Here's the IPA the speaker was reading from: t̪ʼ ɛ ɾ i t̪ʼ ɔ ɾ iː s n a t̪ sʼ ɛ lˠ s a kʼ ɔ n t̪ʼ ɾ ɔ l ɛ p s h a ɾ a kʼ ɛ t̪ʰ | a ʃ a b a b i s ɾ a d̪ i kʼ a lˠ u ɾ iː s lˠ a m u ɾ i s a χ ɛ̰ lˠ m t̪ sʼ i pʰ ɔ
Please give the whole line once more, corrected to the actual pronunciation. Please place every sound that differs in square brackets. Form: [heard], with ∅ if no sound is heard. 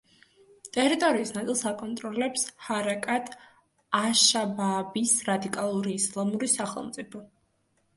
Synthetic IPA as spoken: t̪ʼ ɛ ɾ i t̪ʼ ɔ ɾ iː s n a t̪ sʼ [i] lˠ s a kʼ ɔ n t̪ʼ ɾ ɔ l ɛ p s h a ɾ a kʼ [a] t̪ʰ | a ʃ a b a b i s ɾ a d̪ i kʼ a lˠ u ɾ iː s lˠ a m u ɾ i s a χ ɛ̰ lˠ m t̪ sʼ i pʰ ɔ